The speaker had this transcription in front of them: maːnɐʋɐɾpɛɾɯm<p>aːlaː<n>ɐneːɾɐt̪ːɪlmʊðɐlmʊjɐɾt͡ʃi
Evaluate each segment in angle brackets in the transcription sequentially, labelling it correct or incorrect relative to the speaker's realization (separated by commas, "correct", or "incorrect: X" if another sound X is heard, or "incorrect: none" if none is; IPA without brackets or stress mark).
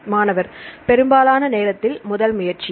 incorrect: b, correct